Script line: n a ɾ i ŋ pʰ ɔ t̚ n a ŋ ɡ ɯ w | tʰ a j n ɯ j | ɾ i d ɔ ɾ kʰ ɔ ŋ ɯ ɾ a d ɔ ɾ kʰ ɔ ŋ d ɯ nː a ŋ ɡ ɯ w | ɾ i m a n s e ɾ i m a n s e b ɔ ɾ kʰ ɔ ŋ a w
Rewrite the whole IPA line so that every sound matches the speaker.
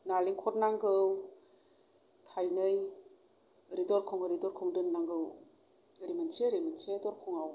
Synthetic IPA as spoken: n a l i ŋ kʰ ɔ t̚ n a ŋ ɡ ɯ w | tʰ a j n ɯ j | ɾ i d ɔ ɾ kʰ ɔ ŋ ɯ ɾ i d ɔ ɾ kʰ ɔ ŋ d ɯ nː a ŋ ɡ ɯ w | ɾ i m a n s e ɾ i m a n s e d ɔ ɾ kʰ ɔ ŋ a w